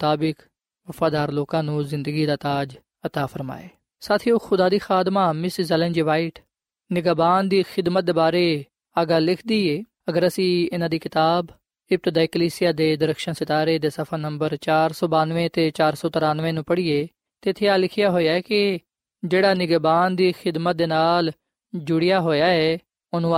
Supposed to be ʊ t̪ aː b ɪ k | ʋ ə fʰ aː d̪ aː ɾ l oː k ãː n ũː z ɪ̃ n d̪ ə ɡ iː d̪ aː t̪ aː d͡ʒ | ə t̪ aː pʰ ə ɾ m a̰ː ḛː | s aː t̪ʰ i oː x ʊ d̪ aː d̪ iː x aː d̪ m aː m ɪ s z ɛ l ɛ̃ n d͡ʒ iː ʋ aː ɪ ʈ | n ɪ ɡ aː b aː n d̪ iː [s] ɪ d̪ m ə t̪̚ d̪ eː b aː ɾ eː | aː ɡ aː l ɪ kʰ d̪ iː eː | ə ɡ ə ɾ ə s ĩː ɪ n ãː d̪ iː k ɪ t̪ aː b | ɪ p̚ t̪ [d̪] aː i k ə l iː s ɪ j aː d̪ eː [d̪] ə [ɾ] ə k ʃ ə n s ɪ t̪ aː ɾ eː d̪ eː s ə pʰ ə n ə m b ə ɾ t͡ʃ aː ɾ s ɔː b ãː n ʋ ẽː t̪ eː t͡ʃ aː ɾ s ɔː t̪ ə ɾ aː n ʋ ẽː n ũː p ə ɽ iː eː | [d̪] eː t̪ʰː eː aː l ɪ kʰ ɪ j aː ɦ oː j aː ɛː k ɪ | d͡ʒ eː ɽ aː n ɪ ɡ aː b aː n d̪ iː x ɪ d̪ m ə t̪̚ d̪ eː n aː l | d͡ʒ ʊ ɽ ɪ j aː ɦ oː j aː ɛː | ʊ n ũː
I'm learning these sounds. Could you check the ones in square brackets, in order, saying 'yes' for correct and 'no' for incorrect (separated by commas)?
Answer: no, yes, yes, yes, no